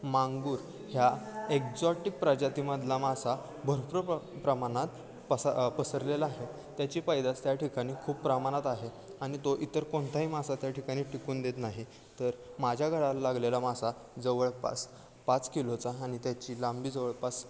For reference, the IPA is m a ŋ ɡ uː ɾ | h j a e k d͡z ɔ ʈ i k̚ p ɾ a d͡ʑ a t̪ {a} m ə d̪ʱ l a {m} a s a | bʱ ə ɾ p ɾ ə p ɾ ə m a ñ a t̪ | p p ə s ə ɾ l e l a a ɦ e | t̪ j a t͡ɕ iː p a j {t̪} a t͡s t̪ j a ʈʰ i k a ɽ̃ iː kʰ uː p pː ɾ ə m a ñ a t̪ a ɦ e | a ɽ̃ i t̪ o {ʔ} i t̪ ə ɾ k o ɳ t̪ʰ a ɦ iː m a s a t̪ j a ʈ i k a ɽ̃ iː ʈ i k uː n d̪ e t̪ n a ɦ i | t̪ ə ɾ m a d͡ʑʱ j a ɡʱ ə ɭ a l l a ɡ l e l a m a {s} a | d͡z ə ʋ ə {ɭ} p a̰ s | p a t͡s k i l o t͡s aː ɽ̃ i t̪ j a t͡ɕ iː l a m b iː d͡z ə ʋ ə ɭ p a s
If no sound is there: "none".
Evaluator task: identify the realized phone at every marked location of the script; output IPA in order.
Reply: i, m, d̪, ʔ, s, ɭ

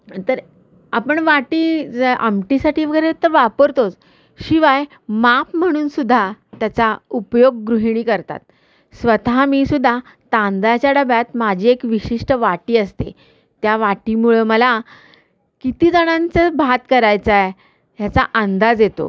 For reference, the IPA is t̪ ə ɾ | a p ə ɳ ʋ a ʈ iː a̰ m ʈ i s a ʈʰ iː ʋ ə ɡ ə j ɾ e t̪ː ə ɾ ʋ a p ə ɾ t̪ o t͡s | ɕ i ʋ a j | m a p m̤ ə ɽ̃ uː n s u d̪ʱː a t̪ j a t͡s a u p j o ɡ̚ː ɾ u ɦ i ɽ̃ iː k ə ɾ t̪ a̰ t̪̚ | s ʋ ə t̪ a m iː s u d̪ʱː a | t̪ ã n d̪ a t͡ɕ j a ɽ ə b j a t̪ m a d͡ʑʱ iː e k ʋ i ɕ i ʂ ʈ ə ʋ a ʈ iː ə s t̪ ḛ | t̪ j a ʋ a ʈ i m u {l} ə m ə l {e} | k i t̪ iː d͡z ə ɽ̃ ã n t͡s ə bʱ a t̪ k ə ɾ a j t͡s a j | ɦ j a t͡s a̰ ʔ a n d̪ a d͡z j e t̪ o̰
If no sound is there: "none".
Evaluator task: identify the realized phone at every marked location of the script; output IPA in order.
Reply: ɭ, a

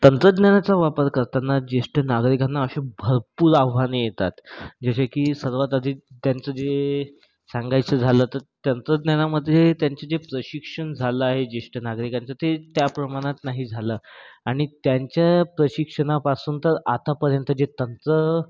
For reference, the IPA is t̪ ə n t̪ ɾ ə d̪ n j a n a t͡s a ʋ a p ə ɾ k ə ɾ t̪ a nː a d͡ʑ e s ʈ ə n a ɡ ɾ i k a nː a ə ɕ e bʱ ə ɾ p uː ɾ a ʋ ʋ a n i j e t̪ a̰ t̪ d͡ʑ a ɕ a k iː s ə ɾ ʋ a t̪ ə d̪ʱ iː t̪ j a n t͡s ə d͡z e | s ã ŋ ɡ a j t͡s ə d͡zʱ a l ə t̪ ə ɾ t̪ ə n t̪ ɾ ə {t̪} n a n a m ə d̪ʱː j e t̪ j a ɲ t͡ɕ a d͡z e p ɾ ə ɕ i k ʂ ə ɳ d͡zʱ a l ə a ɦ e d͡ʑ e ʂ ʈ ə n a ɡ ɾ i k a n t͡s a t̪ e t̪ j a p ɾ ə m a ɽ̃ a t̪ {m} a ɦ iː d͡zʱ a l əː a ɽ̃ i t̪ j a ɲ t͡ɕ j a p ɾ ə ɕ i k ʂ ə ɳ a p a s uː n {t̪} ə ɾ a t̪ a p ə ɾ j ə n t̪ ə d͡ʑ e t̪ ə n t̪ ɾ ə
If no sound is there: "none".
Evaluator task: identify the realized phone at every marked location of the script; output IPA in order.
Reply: d̪, n, t̪

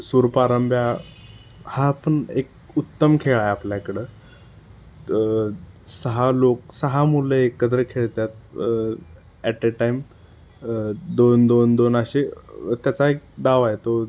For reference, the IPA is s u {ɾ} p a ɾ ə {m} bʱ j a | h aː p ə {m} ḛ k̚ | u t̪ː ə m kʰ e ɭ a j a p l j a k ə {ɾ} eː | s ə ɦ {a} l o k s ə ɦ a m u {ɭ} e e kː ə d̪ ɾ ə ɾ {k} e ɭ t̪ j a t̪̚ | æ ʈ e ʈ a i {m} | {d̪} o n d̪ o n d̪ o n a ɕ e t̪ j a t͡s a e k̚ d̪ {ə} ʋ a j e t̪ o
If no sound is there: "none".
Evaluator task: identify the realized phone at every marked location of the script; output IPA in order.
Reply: ɾ, m, ɳ, ɽ, a, l, kʰ, m, d̪, a

